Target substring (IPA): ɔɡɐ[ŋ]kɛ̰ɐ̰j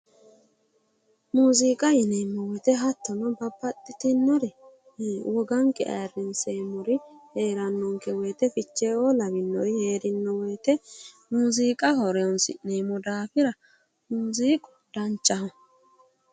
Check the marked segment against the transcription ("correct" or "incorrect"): correct